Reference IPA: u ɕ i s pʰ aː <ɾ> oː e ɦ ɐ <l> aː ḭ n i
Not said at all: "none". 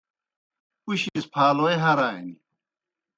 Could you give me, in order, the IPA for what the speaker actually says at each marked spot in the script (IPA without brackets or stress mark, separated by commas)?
l, ɾ